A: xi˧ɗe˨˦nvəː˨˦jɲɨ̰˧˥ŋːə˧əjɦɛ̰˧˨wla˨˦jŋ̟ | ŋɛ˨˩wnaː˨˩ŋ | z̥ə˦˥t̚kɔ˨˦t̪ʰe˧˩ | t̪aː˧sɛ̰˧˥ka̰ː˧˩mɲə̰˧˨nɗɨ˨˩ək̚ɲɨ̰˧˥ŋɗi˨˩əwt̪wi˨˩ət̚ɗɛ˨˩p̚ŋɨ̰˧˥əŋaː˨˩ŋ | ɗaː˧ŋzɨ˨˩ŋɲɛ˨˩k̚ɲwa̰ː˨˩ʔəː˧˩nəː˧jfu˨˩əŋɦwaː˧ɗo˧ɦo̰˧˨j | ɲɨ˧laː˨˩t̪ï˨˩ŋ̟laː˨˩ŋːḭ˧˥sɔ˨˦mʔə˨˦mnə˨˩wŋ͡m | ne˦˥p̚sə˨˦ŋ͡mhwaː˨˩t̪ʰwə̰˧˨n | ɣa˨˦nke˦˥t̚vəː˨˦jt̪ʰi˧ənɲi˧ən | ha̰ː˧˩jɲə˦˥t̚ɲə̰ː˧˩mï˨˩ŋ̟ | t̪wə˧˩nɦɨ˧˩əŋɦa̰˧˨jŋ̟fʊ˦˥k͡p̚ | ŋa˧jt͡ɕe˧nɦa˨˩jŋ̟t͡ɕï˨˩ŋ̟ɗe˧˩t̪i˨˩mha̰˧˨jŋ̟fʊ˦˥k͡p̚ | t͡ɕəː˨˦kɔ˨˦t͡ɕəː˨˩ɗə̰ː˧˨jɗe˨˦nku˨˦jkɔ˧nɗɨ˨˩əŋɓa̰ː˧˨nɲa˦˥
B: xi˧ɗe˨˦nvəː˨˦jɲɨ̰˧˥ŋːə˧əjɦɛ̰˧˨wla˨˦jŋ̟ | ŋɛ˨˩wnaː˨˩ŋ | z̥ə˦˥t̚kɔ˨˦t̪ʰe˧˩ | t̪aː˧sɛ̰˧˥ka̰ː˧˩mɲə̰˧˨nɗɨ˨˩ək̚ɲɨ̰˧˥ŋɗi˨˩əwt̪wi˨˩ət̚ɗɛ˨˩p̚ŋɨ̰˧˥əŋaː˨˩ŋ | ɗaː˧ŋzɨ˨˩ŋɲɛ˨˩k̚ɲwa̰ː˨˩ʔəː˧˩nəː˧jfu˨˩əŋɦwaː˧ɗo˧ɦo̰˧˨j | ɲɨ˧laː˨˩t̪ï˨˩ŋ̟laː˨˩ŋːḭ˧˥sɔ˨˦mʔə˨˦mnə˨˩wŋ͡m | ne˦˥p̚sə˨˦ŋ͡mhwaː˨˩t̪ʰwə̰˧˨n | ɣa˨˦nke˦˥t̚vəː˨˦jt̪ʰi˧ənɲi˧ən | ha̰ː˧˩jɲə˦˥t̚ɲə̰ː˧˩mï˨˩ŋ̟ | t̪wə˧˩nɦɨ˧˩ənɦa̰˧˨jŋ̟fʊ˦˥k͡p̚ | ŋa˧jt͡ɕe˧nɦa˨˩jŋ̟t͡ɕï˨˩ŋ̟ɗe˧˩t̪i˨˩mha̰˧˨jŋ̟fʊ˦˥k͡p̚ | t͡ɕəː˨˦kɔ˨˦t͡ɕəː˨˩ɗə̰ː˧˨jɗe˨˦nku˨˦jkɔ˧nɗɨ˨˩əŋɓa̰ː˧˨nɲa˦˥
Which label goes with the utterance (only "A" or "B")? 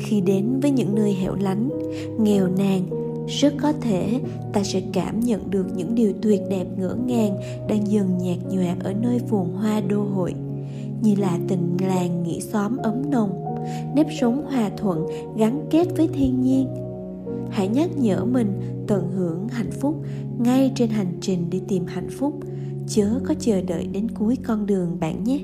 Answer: A